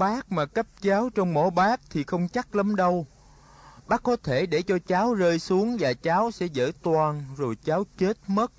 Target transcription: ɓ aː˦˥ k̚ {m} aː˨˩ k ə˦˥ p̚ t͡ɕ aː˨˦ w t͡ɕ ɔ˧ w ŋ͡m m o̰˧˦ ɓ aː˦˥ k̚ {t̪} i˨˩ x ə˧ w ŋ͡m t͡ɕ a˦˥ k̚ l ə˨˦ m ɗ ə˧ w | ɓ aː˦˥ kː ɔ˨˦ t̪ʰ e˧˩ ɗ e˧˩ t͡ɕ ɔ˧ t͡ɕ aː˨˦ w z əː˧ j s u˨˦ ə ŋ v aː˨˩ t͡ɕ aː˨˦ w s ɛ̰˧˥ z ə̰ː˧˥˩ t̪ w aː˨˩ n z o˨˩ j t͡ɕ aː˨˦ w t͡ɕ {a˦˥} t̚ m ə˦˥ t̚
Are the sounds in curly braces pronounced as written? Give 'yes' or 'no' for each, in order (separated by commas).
yes, no, no